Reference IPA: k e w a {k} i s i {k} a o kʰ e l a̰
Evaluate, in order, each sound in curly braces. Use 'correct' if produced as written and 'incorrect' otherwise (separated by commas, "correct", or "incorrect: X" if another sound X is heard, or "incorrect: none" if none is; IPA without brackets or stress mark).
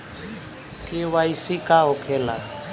incorrect: none, correct